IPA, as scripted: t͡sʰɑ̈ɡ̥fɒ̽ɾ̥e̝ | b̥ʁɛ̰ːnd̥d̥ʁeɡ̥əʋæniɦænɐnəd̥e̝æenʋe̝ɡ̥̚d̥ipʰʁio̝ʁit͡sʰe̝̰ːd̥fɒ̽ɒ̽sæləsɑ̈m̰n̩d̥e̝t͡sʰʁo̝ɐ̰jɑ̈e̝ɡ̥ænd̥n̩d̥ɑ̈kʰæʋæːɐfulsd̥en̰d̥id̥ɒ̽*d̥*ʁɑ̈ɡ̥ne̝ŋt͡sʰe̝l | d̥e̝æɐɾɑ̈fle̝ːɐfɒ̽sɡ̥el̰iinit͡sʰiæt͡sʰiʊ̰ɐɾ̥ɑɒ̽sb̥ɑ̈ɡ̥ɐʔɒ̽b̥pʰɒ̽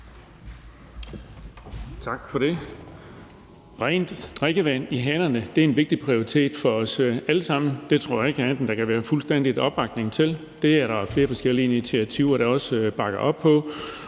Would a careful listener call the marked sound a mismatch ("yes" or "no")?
yes